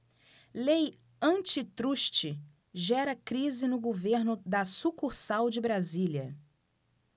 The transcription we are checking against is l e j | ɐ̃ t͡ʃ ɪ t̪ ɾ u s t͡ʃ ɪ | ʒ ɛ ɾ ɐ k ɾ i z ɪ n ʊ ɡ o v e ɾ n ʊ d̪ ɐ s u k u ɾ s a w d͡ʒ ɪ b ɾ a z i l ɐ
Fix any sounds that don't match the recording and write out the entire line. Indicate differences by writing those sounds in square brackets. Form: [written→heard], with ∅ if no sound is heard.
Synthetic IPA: l e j | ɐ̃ t͡ʃ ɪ t̪ ɾ u [s→ʃ] t͡ʃ ɪ | ʒ ɛ ɾ ɐ k ɾ i z ɪ n ʊ ɡ o v e ɾ n ʊ d̪ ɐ s u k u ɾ s a w d͡ʒ ɪ b ɾ a z i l ɐ